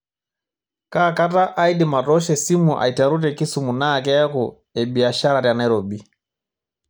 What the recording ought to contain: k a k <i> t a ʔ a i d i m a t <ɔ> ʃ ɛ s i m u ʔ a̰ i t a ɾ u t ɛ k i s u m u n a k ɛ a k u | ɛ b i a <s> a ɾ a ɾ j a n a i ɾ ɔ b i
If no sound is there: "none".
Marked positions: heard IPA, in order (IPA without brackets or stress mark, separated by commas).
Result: a, ɔ, ʃ